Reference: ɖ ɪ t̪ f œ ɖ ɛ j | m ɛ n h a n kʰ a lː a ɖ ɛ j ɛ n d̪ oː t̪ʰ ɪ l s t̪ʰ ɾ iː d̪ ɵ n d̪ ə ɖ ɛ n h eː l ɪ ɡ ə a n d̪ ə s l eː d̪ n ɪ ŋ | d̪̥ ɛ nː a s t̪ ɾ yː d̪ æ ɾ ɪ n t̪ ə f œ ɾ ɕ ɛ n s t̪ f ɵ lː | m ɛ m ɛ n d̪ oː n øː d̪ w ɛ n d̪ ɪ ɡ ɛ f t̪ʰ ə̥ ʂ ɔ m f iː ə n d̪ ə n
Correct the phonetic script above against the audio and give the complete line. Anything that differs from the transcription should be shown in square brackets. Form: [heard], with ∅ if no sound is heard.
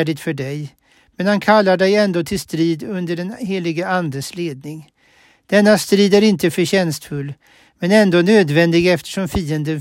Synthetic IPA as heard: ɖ ɪ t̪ f œ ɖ ɛ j | m ɛ n h a n kʰ a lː a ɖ ɛ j ɛ n d̪ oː t̪ʰ ɪ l s [t̪] ɾ iː d̪ ɵ n d̪ ə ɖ ɛ n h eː l ɪ ɡ ə a n d̪ ə s l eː d̪ n ɪ ŋ | d̪̥ ɛ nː a s t̪ ɾ [iː] d̪ æ ɾ ɪ n t̪ ə f œ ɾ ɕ ɛ n s t̪ f ɵ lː | m ɛ [n] ɛ n d̪ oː n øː d̪ [v] ɛ n d̪ ɪ ɡ ɛ f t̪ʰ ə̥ ʂ ɔ m f iː ə n d̪ ə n